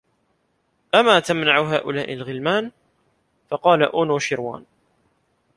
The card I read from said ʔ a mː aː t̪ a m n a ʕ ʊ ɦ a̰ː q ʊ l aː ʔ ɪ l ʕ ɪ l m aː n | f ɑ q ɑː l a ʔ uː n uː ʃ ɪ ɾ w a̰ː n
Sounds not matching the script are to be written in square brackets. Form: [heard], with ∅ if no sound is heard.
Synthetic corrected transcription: ʔ a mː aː t̪ a m n a ʕ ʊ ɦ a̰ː [ʔ] ʊ l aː ʔ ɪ l [ɣ] ɪ l m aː n | f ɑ q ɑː l a ʔ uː n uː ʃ ɪ ɾ w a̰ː n